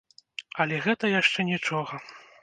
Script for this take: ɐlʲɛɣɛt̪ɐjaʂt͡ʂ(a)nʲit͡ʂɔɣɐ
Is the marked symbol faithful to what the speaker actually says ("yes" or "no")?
no